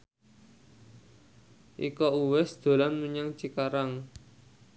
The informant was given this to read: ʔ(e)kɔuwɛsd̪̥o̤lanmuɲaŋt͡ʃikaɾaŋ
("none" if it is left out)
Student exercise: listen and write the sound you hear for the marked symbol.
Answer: i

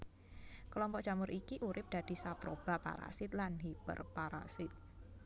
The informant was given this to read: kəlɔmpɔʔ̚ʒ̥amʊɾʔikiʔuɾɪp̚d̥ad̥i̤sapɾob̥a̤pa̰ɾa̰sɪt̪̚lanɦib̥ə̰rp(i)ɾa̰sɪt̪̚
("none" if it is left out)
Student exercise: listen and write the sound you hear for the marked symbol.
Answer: a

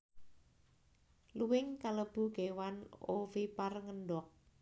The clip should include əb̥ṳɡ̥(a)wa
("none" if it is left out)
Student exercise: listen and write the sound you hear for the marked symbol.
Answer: e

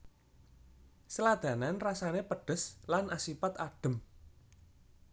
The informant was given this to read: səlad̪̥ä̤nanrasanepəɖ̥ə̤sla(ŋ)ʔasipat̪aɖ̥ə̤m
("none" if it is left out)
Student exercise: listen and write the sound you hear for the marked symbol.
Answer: n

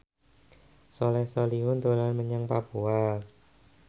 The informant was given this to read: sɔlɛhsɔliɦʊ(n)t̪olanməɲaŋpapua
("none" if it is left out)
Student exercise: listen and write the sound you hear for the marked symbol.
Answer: n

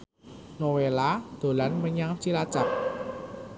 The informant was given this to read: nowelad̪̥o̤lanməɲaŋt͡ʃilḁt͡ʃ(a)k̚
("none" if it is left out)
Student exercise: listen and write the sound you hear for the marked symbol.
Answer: a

